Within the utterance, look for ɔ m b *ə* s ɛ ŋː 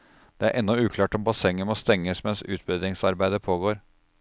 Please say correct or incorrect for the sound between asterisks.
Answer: incorrect